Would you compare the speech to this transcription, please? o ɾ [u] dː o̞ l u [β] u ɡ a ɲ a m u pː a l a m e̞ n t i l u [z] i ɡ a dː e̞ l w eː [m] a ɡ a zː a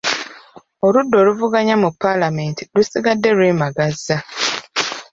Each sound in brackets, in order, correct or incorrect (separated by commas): correct, incorrect, incorrect, correct